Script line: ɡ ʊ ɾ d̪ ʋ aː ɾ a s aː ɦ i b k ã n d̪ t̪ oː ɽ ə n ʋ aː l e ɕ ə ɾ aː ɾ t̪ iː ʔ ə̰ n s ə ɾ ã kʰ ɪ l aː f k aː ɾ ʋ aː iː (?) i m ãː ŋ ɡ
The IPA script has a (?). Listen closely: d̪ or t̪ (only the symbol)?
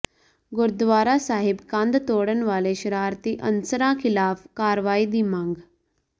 d̪